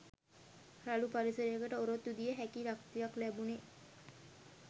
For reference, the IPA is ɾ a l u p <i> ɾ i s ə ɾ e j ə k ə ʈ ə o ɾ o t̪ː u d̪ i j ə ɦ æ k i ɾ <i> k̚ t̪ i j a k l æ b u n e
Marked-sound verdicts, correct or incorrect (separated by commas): incorrect, incorrect